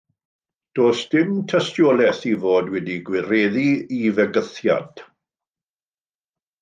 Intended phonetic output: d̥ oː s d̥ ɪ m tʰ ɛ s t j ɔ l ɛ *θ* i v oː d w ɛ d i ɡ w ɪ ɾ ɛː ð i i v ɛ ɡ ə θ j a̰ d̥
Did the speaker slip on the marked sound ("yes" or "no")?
no